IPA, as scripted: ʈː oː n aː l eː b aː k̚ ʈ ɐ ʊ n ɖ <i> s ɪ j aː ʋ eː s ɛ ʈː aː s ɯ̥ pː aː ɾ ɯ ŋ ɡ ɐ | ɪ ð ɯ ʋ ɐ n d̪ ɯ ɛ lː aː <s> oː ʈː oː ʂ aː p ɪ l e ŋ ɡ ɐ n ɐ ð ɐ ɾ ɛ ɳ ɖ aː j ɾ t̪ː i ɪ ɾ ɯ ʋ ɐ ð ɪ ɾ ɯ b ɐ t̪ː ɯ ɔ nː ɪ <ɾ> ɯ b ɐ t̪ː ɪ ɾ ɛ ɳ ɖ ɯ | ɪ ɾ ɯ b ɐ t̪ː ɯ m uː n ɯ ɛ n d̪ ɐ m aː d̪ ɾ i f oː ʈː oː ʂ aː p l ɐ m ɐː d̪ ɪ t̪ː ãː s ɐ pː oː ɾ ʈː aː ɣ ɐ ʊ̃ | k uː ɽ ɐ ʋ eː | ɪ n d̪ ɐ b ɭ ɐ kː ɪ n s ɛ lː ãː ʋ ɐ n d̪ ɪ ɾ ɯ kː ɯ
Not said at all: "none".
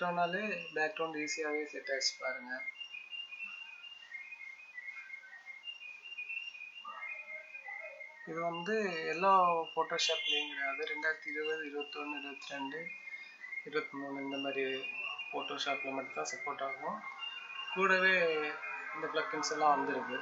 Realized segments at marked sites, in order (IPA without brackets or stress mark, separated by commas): iː, f, ɾ